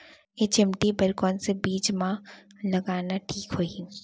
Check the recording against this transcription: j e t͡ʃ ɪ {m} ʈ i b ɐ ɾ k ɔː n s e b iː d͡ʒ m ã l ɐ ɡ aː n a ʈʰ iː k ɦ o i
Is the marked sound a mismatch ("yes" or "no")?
no